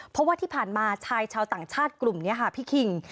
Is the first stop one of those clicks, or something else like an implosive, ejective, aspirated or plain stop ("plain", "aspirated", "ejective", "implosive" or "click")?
aspirated